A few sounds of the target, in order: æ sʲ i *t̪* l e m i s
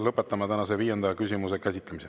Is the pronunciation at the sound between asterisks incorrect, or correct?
correct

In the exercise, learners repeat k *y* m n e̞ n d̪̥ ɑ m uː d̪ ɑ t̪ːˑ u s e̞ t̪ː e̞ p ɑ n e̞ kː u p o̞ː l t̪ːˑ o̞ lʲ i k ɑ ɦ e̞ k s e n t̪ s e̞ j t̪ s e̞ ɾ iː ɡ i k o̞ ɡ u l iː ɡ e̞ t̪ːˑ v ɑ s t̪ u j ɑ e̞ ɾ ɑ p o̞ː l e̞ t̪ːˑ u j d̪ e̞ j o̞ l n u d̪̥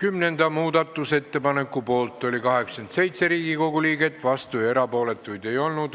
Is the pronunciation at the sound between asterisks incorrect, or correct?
correct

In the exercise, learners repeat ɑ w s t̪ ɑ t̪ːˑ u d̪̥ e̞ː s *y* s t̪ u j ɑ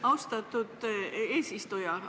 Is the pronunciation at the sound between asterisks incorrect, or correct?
incorrect: i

